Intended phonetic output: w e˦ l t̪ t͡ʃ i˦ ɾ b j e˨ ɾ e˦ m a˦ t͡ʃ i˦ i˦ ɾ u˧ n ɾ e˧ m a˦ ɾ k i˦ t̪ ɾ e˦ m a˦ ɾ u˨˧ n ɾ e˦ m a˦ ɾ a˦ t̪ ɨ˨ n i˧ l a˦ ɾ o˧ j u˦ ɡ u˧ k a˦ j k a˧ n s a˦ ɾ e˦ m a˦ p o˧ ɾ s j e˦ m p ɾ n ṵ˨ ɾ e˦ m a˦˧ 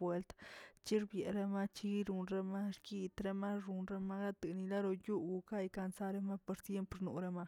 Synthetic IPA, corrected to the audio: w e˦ l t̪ t͡ʃ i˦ ɾ b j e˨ ɾ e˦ m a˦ t͡ʃ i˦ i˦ ɾ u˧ n ɾ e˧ m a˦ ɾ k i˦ t̪ ɾ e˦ m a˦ ɾ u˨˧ n ɾ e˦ m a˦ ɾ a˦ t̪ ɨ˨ n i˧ l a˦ ɾ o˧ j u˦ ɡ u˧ k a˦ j k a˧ n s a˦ ɾ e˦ m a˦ p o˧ ɾ s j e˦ m p ɾ n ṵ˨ ɾ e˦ m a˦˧